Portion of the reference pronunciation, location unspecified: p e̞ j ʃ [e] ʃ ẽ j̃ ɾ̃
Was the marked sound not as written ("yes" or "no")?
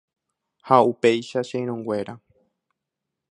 yes